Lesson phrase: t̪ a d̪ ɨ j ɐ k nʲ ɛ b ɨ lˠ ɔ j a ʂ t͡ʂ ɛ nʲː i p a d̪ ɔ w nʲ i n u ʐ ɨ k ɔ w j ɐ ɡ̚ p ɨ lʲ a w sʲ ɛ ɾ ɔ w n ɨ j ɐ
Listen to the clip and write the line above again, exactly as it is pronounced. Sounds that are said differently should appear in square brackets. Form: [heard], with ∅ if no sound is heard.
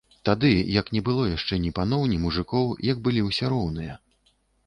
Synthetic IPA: t̪ a d̪ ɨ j ɐ k nʲ ɛ b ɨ lˠ ɔ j a ʂ t͡ʂ ɛ [nʲ] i p a [n̪] ɔ w nʲ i [m] u ʐ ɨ k ɔ w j ɐ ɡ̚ [b] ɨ lʲ [i] w sʲ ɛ ɾ ɔ w n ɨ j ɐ